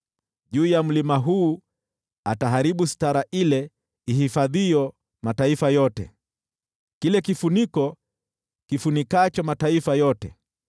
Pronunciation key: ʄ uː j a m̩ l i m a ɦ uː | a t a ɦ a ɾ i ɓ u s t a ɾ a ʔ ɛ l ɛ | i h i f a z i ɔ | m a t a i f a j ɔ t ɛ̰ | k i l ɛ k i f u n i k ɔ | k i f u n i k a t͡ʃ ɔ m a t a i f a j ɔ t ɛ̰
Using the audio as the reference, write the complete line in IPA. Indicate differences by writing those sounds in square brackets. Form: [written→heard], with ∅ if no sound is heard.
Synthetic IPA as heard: ʄ uː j a m̩ l i m a ɦ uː | a t a ɦ a ɾ i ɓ u s t a ɾ a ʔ [ɛ→i] l ɛ | i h i f a [z→ð] i ɔ | m a t a i f a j ɔ t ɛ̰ | k i l ɛ k i f u n i k ɔ | k i f u n i k a t͡ʃ ɔ m a t a i f a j ɔ t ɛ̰